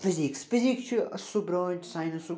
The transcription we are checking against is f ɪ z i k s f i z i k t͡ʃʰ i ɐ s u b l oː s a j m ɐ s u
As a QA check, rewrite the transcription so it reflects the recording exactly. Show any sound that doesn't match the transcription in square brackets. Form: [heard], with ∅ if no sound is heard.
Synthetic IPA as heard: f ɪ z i k s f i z i k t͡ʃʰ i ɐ s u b [ɾ] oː s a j [n] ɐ s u